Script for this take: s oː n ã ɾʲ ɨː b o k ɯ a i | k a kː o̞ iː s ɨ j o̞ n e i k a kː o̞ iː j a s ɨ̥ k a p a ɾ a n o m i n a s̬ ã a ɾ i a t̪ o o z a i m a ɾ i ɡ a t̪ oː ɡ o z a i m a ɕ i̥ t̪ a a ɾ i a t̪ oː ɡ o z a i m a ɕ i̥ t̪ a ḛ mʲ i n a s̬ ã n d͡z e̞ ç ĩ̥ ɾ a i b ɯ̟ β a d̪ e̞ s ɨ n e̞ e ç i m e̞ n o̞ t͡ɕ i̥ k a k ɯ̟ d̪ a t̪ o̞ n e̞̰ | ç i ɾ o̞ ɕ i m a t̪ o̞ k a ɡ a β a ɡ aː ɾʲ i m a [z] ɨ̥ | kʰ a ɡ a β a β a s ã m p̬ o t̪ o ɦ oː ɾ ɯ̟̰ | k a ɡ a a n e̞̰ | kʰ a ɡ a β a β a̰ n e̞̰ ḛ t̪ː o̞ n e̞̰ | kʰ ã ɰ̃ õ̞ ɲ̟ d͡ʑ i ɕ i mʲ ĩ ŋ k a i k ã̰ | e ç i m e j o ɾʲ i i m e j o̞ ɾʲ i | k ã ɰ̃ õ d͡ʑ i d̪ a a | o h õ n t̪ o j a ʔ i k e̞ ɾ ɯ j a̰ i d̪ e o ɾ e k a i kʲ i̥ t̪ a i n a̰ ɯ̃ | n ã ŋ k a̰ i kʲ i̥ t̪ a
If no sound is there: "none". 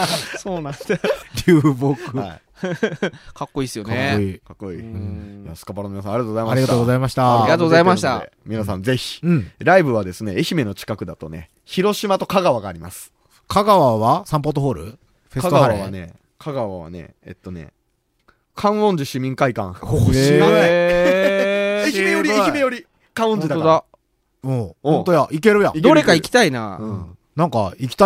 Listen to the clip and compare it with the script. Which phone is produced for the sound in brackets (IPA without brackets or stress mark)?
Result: s